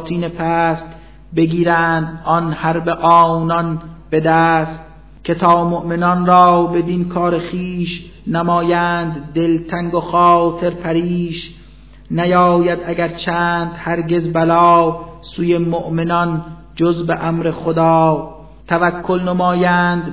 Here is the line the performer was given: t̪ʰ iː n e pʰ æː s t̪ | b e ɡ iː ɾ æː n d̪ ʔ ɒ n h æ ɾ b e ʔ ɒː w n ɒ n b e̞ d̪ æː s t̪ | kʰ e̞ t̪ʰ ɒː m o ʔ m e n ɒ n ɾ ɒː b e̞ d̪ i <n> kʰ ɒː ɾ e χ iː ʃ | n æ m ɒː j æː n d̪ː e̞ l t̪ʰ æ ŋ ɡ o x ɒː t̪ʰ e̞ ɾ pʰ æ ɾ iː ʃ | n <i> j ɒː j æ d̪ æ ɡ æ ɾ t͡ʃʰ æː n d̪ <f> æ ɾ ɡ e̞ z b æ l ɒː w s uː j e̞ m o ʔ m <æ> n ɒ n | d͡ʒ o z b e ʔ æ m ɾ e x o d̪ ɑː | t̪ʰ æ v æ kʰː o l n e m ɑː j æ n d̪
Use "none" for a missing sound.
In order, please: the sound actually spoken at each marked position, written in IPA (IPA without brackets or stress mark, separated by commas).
n, æ, h, e